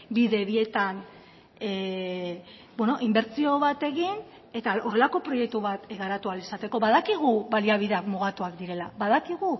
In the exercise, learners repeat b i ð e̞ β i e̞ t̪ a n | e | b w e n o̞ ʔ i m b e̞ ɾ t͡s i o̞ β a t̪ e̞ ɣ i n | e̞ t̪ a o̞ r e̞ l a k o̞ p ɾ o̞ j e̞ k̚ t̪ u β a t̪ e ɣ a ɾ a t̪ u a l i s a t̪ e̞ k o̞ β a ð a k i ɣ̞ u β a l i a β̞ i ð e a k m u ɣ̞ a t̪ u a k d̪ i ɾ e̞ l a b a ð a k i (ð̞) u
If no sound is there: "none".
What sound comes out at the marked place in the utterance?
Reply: ɣ̞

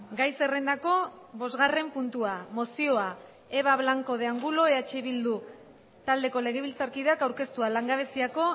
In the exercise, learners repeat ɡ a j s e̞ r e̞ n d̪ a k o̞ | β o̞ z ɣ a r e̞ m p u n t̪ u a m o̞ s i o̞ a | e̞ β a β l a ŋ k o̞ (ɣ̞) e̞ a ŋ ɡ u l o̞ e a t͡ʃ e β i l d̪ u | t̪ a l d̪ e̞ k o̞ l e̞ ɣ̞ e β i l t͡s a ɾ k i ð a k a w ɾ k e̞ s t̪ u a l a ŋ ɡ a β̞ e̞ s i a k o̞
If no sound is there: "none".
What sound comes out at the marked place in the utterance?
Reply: ð̞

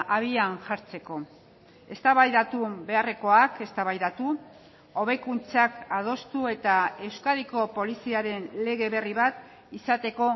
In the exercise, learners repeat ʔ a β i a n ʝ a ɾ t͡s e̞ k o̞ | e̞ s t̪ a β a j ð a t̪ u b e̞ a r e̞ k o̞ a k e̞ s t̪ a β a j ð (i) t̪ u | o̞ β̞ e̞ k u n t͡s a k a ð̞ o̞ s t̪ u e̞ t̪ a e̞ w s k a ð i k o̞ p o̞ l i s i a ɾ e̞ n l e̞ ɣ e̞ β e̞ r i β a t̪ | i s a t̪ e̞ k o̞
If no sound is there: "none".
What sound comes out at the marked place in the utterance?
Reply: a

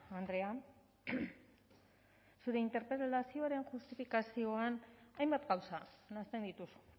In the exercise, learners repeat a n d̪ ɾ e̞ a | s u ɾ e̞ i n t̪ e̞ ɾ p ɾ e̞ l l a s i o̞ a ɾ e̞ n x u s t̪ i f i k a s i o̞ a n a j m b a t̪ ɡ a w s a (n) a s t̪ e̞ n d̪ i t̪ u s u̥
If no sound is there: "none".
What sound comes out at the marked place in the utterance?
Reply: n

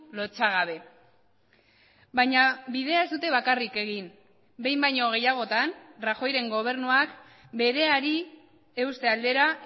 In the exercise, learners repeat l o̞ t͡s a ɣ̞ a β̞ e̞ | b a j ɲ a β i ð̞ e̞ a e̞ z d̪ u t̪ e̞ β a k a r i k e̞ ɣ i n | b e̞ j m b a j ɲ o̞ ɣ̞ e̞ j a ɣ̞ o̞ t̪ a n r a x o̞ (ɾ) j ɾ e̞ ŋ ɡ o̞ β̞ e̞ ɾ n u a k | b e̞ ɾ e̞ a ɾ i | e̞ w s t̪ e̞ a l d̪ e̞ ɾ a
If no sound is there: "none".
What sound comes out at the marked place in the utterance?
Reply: none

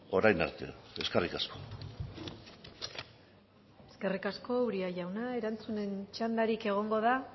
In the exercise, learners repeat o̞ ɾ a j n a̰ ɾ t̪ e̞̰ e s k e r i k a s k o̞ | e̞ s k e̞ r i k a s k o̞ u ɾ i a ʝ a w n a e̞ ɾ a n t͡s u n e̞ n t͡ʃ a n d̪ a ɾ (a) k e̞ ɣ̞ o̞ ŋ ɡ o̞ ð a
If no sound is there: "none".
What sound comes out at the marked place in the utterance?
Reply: i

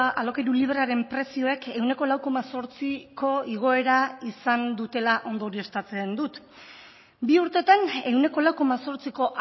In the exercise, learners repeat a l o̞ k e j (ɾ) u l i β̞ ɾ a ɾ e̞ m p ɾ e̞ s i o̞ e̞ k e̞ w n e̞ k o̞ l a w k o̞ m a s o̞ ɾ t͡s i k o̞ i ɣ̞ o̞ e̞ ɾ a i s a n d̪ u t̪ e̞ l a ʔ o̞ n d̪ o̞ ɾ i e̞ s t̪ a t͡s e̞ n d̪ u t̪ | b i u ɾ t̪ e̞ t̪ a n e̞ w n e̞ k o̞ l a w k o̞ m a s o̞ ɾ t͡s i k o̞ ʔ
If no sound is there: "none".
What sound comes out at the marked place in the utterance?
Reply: ɾ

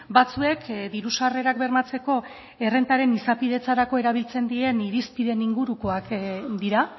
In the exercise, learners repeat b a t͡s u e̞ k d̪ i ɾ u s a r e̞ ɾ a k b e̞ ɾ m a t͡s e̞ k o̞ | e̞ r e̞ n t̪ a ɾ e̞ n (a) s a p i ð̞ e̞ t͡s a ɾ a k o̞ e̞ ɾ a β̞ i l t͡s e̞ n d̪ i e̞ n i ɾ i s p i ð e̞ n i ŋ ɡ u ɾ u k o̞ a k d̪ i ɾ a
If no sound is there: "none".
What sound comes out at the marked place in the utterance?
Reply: i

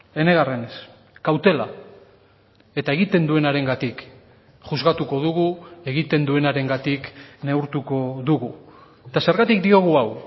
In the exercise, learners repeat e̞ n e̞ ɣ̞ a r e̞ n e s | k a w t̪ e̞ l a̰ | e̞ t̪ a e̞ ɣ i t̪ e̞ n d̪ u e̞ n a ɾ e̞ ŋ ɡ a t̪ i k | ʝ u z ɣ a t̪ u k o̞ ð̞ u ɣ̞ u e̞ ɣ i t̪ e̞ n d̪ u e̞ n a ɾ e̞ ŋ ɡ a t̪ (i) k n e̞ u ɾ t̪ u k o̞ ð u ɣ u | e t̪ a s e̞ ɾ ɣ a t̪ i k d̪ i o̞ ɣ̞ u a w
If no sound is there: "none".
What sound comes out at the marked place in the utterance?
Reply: i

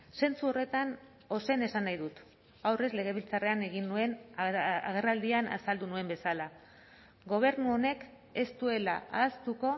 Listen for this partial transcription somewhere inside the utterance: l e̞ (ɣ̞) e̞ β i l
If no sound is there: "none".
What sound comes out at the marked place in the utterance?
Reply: ɣ̞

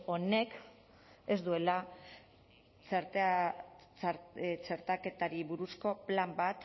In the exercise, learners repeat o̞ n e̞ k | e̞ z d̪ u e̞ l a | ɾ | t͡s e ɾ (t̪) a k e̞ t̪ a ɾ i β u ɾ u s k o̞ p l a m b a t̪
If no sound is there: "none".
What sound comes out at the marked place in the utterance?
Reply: t̪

